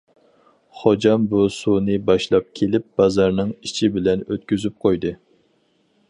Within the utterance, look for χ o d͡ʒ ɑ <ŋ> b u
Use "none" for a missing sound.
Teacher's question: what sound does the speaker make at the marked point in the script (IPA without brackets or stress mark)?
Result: m